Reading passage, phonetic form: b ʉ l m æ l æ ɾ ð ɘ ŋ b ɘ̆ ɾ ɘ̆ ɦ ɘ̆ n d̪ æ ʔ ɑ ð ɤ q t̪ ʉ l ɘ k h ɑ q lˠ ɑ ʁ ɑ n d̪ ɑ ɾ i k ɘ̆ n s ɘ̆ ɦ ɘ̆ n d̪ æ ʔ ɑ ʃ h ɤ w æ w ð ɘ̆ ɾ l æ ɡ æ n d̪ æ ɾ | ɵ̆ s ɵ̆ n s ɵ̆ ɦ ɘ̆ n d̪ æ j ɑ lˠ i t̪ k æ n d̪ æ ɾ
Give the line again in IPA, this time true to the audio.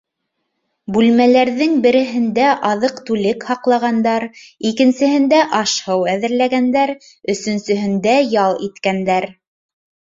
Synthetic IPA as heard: b ʉ l m æ l æ ɾ ð ɘ ŋ b ɘ̆ ɾ ɘ̆ ɦ ɘ̆ n d̪ æ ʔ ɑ ð ɤ q t̪ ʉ l ɘ k h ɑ q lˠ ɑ ʁ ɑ n d̪ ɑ ɾ i k ɘ̆ n s ɘ̆ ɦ ɘ̆ n d̪ æ ʔ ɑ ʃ h ɤ w æ ð ɘ̆ ɾ l æ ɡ æ n d̪ æ ɾ | ɵ̆ s ɵ̆ n s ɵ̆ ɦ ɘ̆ n d̪ æ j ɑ lˠ i t̪ k æ n d̪ æ ɾ